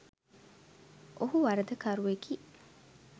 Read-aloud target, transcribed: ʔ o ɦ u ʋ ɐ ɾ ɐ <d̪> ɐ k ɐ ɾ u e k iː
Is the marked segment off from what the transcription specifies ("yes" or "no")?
no